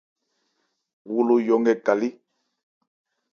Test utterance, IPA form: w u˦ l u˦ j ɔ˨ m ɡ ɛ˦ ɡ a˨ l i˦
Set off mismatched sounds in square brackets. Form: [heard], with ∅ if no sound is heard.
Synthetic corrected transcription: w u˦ l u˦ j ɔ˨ [ŋ] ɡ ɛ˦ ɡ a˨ l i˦